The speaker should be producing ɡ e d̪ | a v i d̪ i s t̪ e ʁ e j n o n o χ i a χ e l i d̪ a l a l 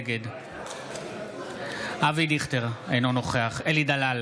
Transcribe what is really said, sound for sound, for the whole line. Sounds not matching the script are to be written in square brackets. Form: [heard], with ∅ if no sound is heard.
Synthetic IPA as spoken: ɡ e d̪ | a v i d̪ i [χ] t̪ e ʁ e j n o n o χ [e] a χ e l i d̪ a l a l